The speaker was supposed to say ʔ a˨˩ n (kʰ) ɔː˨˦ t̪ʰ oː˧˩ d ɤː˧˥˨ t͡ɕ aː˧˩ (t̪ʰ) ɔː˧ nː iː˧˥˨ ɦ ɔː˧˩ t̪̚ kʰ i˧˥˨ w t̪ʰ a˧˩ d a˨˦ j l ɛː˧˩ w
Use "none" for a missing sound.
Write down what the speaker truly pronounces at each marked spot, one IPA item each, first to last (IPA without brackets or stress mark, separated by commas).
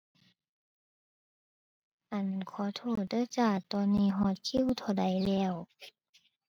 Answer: kʰ, t̪